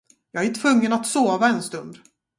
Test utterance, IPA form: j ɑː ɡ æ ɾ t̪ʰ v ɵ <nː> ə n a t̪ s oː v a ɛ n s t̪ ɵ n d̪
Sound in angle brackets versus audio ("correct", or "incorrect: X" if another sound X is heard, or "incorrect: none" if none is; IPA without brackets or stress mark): incorrect: ŋː